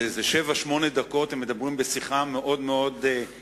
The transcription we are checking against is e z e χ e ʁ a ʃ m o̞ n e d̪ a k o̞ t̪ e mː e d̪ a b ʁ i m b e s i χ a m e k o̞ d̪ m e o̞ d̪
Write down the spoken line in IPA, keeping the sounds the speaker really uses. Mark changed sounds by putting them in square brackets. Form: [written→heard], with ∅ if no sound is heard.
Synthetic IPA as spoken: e z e [χ→ʃ] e [ʁ→v] a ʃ m o̞ n e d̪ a k o̞ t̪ e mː e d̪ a b ʁ i m b e s i χ a m e [k→ʔ] o̞ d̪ m e o̞ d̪